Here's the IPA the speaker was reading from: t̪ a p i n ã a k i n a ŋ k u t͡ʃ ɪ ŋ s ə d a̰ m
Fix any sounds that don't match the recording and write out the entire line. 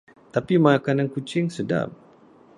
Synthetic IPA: t̪ a p i m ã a k a n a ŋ k u t͡ʃ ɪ ŋ s ə d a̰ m